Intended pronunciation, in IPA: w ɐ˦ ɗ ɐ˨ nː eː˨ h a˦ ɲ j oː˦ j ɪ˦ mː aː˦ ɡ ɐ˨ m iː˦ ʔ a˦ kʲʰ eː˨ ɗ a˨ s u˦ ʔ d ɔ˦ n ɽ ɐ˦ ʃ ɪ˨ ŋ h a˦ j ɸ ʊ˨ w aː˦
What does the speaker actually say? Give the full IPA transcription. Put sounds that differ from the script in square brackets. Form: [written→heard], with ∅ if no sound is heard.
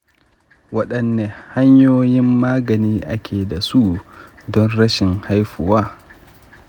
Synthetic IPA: w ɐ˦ ɗ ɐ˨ nː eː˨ h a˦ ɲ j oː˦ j ɪ˦ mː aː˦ ɡ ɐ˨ [m→n] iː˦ ʔ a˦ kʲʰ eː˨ [ɗ→d] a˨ s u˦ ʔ d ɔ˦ n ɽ ɐ˦ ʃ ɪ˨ ŋ h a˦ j ɸ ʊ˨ w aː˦